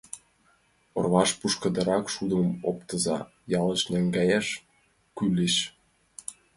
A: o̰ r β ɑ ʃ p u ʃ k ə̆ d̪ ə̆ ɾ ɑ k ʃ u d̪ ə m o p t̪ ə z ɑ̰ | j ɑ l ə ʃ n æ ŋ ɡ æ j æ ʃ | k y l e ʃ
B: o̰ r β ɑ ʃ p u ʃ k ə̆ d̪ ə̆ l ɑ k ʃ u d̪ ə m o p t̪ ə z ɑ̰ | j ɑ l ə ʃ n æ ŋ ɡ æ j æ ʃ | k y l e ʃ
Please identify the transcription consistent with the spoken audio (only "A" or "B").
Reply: A